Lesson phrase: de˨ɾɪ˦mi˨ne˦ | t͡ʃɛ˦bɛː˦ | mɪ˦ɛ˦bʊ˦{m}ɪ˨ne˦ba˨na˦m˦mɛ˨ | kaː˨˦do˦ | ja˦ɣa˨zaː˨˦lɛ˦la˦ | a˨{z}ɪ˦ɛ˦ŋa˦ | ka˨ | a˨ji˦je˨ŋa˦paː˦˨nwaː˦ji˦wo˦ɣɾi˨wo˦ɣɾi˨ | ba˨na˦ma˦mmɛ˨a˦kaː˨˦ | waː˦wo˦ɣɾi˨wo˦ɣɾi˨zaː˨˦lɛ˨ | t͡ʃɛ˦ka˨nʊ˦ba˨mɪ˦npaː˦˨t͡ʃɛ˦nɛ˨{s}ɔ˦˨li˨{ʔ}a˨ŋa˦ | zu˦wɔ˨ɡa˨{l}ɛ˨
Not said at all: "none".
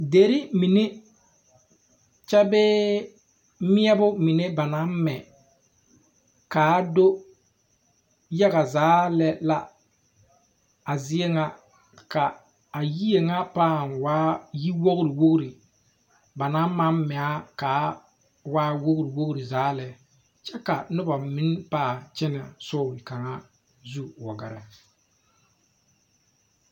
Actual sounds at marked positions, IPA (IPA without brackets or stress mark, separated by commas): m, z, s, k, ɾ